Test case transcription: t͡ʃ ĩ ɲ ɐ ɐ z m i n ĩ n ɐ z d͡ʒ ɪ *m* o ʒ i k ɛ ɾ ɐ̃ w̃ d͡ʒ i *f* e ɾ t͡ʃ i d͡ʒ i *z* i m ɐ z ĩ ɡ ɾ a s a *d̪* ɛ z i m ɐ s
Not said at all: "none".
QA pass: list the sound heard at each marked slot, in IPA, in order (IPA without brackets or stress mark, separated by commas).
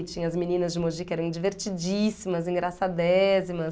m, v, s, d̪